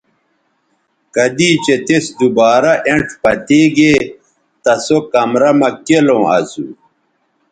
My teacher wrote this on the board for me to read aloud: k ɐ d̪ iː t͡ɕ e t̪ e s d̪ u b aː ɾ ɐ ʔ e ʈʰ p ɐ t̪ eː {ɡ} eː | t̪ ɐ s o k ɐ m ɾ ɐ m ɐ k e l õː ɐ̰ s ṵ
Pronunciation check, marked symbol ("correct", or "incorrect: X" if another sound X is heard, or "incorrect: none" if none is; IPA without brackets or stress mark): correct